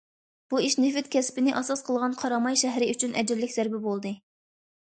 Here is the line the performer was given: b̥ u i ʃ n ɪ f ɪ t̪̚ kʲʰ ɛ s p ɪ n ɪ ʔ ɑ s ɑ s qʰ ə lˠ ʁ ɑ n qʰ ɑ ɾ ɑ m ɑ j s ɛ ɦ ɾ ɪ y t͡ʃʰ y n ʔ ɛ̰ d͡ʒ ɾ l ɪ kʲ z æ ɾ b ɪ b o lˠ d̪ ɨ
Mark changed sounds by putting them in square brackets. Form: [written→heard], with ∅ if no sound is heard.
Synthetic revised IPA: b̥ u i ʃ n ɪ f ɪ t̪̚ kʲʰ ɛ s p ɪ n ɪ ʔ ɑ s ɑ s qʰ ə lˠ ʁ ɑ n qʰ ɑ ɾ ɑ m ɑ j [s→ʃ] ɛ ɦ ɾ ɪ y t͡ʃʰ y n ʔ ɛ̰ d͡ʒ ɾ l ɪ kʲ z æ ɾ b ɪ b o lˠ d̪ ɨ